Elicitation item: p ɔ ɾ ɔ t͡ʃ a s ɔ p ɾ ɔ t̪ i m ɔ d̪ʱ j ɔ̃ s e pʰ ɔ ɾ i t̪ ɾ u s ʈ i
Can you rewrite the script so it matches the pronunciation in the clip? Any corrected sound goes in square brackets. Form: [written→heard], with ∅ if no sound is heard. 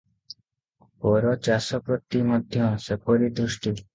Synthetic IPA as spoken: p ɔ ɾ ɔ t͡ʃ a s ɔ p ɾ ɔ t̪ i m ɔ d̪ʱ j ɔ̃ s e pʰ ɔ ɾ i [t̪→d̪] ɾ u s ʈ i